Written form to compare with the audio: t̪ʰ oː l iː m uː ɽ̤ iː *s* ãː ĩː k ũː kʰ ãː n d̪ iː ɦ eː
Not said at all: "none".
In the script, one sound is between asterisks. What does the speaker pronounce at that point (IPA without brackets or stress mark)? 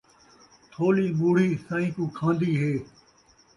s